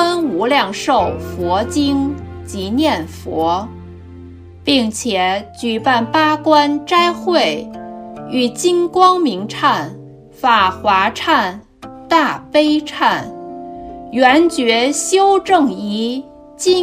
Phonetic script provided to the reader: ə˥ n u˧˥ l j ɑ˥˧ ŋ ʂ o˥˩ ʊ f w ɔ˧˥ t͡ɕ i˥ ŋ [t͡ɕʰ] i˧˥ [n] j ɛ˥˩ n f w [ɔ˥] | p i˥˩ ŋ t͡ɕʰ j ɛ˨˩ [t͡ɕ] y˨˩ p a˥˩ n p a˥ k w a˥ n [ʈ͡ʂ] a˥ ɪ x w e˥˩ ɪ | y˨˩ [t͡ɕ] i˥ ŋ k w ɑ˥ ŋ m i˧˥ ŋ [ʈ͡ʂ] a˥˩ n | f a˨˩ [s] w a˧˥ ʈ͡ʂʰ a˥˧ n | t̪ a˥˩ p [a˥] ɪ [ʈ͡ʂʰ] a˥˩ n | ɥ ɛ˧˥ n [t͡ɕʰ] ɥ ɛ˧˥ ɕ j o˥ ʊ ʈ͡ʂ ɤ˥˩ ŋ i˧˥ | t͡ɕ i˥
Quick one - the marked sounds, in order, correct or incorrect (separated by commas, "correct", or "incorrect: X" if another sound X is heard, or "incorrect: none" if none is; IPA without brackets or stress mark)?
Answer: incorrect: t͡ɕ, correct, incorrect: ɔ˧˥, correct, correct, correct, incorrect: ʈ͡ʂʰ, incorrect: x, incorrect: e˥, correct, incorrect: t͡ɕ